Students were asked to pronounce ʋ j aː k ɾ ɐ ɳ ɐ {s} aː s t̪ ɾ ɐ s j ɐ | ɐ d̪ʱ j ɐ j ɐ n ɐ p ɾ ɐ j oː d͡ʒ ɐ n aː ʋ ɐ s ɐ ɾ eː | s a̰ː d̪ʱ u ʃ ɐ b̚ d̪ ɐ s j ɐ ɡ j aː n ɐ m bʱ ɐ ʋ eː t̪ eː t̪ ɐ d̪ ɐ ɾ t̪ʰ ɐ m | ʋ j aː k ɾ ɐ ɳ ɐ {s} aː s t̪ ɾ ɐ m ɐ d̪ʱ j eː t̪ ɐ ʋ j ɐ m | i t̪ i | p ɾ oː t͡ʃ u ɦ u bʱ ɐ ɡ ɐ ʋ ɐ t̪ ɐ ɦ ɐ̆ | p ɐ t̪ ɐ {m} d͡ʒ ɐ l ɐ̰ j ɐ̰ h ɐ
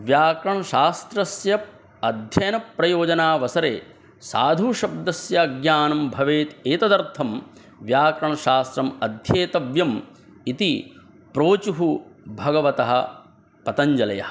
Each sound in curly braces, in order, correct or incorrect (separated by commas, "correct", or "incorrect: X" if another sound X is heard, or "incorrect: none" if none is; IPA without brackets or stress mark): incorrect: ʃ, incorrect: ʃ, incorrect: ɲ